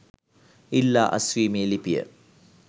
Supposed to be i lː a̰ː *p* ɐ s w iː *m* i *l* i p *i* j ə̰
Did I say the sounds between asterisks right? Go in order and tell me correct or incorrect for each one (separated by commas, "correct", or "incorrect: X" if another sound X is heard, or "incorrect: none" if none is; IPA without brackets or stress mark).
incorrect: ʔ, correct, correct, correct